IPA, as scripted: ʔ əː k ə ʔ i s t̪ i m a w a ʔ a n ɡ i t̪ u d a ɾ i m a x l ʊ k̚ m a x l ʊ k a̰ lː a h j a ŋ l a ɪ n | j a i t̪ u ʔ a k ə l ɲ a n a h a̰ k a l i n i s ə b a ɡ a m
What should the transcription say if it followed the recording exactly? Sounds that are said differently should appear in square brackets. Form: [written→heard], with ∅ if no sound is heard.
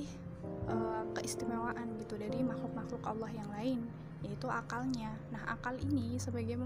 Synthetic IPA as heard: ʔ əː k ə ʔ i s t̪ i m a w a ʔ a n ɡ i t̪ u d a ɾ i m a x l ʊ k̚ m a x l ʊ k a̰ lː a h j a ŋ l a ɪ n | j a i t̪ u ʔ a k [ə→a] l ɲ a n a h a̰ k a l i n i s ə b a ɡ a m